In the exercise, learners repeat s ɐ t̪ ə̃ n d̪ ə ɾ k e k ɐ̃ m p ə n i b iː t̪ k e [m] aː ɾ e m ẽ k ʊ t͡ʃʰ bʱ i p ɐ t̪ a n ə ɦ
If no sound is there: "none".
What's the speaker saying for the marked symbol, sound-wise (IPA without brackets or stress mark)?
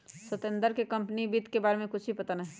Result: b